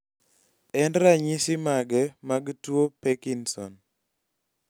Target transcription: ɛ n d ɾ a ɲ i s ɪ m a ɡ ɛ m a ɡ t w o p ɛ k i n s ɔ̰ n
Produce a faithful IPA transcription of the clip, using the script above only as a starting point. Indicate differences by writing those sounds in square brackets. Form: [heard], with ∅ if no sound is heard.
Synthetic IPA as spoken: ɛ n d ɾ a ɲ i s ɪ m a ɡ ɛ m a ɡ t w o p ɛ k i n s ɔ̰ n